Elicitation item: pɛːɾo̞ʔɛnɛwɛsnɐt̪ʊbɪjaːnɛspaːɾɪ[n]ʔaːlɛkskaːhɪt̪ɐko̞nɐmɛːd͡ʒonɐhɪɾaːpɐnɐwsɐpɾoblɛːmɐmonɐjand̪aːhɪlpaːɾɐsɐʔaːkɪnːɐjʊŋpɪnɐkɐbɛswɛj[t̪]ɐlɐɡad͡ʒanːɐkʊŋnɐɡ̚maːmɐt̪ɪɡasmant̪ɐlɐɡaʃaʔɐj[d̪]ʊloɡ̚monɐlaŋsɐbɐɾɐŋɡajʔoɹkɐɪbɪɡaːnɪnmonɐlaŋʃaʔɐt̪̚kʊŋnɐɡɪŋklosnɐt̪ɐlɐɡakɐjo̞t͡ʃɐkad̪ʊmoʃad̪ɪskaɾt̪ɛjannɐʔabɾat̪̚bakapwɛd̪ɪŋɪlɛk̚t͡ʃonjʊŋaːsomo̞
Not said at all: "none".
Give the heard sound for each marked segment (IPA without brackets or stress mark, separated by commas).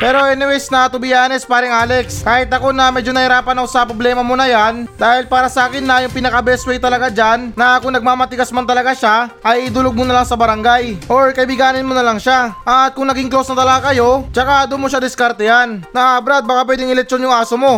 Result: ŋ, t̪, d̪